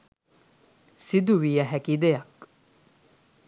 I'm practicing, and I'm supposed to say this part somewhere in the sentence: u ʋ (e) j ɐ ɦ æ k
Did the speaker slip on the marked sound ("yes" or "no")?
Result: yes